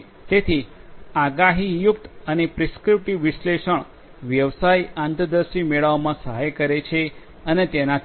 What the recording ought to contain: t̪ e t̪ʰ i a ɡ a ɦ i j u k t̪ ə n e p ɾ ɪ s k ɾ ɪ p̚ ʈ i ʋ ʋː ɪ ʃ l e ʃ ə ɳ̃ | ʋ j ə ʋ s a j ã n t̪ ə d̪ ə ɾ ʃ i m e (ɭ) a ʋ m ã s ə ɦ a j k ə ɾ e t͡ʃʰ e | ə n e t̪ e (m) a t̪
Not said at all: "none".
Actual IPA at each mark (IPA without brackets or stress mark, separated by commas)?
ɭ, n